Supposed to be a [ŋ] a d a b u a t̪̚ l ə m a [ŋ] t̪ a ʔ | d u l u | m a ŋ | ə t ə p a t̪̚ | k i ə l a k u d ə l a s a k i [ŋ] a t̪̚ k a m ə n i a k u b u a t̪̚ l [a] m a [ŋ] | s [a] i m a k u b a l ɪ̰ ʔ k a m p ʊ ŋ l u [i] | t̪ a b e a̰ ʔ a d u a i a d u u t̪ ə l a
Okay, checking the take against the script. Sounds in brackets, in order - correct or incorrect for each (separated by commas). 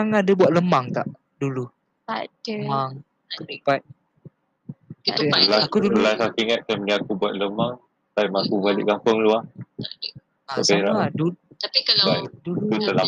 correct, correct, correct, incorrect, correct, correct, incorrect